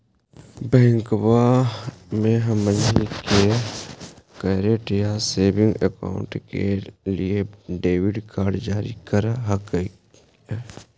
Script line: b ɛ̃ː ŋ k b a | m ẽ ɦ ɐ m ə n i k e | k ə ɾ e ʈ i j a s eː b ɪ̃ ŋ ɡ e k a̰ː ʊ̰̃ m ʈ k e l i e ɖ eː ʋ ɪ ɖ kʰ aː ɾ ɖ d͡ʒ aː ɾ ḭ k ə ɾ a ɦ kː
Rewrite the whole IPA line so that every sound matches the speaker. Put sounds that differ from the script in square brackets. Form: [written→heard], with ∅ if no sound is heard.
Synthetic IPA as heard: b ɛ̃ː ŋ k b a | m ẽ ɦ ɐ m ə n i k e | k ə ɾ e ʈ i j a s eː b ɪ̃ ŋ ɡ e k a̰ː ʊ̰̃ [m→ɳ] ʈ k e l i e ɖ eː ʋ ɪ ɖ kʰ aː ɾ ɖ d͡ʒ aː ɾ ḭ k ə ɾ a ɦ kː